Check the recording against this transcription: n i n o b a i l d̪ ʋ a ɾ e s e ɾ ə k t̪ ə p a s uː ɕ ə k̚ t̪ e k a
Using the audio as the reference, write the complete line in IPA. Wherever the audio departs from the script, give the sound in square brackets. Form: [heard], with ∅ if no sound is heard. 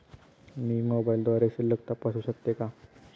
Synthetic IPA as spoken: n i [m] o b a i l d̪ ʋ a ɾ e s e [l] ə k t̪ [a] p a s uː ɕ ə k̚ t̪ e k a